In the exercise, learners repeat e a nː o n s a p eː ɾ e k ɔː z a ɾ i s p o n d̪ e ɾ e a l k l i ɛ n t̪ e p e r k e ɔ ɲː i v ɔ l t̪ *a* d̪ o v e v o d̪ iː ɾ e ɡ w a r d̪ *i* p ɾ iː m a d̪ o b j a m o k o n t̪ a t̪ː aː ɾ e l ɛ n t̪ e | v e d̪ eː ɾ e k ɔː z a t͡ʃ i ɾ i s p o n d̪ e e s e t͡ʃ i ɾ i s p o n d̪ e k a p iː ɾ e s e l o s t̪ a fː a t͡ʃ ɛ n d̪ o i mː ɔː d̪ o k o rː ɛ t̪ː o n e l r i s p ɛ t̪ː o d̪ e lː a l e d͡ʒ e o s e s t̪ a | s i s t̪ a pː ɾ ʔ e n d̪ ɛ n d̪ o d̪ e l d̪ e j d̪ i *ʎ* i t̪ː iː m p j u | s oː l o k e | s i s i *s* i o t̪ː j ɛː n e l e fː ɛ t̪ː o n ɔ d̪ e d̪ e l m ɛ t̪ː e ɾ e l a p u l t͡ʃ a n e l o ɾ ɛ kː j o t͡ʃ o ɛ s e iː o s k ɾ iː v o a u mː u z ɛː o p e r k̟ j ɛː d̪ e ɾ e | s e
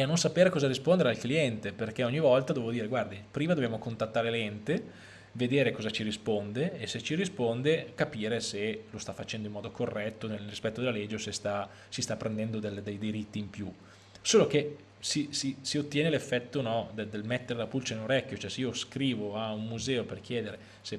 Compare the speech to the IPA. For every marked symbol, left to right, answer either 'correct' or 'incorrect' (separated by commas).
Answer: correct, correct, incorrect, correct